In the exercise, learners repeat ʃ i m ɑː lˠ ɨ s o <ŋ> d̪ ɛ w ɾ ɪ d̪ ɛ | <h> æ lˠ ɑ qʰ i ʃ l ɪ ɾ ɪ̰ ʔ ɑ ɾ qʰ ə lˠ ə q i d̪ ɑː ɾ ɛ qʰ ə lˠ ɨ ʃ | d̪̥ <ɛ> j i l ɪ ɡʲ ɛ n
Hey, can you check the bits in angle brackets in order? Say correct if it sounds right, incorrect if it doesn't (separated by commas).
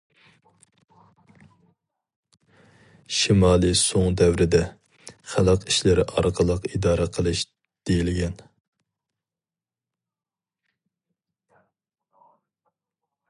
correct, incorrect, incorrect